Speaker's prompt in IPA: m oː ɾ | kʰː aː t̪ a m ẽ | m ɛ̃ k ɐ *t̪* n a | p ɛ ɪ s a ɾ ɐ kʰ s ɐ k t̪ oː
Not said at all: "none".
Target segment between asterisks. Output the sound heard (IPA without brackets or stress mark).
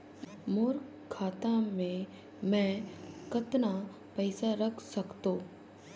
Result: t̪